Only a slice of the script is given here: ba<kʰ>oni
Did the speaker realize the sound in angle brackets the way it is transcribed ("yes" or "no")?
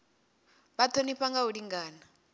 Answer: no